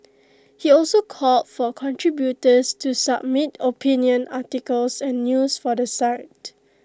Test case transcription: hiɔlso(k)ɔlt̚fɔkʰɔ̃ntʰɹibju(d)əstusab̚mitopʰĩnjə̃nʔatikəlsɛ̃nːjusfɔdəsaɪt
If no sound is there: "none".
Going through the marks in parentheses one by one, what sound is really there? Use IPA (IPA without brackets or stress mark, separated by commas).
kʰ, t